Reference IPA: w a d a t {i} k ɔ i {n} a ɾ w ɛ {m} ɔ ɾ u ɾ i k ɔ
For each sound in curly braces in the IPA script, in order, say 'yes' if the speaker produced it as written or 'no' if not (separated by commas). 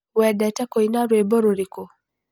no, yes, no